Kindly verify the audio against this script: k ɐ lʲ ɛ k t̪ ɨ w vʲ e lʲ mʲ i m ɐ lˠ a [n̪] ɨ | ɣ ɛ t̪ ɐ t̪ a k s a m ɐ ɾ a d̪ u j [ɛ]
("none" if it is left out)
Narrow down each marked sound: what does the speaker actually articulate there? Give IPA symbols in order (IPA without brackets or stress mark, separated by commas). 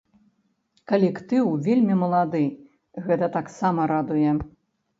d̪, ɛ